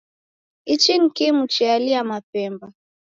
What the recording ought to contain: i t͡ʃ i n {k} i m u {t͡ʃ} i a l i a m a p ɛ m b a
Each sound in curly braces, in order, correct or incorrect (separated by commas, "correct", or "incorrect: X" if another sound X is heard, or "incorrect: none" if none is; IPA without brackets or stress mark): correct, correct